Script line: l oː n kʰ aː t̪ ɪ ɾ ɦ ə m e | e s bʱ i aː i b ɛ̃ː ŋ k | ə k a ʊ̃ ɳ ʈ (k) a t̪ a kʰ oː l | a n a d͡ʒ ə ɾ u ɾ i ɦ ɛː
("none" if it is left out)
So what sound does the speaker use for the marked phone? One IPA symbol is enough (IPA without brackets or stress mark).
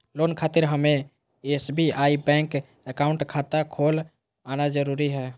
kʰ